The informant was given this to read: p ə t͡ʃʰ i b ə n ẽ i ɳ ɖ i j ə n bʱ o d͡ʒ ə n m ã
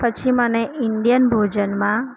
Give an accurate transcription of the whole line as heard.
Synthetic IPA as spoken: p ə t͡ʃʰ i m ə n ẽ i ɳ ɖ i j ə n bʱ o d͡ʒ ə n m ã

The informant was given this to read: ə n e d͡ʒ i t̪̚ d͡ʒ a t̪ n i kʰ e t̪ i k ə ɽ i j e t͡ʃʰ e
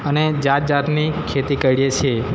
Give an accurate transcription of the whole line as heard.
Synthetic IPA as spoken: ə n e d͡ʒ a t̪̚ d͡ʒ a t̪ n i kʰ e t̪ i k ə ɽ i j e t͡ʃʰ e

